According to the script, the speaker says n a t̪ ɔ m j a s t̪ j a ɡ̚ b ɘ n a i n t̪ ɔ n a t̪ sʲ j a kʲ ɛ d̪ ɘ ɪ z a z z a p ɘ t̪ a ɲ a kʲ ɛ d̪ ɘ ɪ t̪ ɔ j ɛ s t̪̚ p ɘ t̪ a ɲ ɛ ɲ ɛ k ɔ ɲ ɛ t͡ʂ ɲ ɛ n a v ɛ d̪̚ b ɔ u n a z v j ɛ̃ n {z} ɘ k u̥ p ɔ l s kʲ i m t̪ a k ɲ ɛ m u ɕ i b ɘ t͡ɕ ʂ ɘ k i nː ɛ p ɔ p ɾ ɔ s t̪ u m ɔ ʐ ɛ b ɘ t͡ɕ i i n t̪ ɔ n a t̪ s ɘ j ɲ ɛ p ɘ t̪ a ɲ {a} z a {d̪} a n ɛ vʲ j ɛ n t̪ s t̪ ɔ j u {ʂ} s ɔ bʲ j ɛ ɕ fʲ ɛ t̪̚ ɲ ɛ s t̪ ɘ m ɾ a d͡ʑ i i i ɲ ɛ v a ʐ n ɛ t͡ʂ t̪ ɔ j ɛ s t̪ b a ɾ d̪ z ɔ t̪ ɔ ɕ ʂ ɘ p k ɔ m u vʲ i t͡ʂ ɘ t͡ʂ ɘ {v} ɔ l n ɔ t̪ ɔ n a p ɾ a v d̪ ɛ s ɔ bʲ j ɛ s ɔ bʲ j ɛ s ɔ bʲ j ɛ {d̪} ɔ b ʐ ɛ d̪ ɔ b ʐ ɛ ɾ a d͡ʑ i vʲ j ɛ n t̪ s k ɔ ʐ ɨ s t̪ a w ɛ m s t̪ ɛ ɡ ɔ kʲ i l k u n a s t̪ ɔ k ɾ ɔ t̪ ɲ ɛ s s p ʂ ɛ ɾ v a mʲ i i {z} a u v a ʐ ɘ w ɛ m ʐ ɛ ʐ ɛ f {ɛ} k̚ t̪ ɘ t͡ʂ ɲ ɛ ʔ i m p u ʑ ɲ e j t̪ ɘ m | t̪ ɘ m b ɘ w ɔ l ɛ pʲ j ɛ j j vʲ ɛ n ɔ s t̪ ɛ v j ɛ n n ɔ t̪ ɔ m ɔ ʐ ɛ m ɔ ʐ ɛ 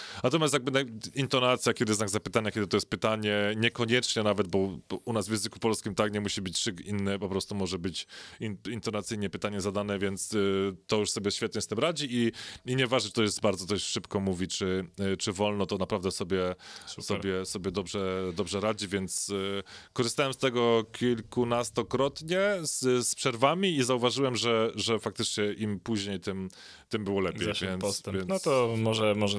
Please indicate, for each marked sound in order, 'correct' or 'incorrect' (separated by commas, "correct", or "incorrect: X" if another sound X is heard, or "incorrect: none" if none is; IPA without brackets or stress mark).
correct, incorrect: ɛ, correct, correct, correct, correct, correct, incorrect: a